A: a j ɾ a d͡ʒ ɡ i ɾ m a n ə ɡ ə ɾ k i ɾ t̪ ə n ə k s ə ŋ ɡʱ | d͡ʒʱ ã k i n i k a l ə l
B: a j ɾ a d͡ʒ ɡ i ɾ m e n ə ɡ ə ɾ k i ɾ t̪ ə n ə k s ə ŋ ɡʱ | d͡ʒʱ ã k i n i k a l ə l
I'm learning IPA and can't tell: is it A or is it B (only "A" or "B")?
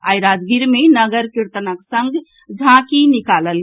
B